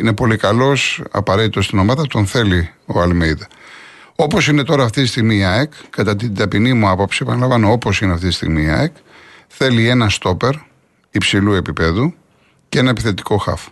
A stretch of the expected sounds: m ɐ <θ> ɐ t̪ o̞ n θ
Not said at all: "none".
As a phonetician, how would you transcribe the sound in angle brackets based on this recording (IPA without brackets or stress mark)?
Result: ð